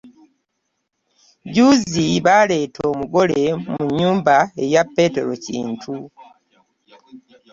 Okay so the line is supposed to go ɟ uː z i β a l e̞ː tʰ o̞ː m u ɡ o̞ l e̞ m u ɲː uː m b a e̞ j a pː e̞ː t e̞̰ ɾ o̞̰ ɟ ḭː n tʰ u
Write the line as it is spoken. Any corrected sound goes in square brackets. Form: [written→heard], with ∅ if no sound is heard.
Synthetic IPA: ɟ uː z i β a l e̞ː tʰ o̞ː m u ɡ o̞ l e̞ m u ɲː uː m b a e̞ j a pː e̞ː t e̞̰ ɾ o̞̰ [ɟ→c] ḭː n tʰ u